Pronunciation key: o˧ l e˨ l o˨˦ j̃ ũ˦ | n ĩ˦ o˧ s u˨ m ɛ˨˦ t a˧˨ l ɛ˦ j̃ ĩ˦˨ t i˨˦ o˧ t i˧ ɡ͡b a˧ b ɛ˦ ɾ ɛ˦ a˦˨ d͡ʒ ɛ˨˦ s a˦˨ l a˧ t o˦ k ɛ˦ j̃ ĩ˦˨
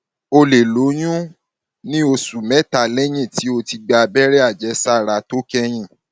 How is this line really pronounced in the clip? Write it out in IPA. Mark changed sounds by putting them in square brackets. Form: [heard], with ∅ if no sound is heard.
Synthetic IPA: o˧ l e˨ l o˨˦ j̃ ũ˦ | n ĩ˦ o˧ s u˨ m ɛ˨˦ t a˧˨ l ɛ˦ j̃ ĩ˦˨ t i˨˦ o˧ t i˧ ɡ͡b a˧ b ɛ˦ ɾ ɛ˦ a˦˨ d͡ʒ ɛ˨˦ s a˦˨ [ɾ] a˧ t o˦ k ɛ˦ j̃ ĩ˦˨